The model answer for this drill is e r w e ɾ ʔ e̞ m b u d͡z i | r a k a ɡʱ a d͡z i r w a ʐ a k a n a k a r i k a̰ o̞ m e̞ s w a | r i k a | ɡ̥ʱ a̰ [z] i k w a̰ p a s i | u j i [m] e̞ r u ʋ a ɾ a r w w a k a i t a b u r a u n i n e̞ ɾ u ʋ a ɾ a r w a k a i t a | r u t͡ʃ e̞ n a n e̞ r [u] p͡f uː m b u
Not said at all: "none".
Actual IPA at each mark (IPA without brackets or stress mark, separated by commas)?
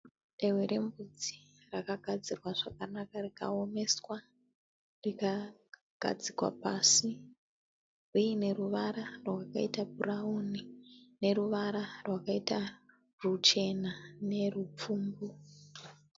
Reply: d͡z, n, u